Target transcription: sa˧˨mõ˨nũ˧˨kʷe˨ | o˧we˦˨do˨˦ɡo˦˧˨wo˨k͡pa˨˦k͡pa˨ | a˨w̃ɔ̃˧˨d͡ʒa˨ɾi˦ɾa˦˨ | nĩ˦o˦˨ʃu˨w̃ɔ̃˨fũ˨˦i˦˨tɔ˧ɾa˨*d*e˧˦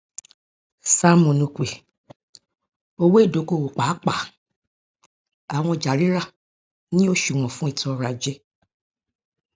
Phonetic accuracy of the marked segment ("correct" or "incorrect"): incorrect